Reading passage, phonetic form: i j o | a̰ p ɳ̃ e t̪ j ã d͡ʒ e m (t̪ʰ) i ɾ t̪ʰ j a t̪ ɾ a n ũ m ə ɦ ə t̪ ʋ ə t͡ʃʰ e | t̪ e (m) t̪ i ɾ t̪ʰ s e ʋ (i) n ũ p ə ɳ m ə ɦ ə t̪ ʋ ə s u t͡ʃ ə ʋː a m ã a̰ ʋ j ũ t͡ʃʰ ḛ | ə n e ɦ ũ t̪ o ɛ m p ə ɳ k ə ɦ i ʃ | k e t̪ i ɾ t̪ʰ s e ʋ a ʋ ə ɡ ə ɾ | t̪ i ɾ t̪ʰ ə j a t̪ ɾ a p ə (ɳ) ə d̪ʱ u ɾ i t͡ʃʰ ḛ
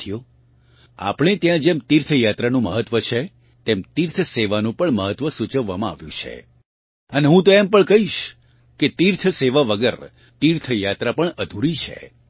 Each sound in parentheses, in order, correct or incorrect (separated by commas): incorrect, correct, incorrect, correct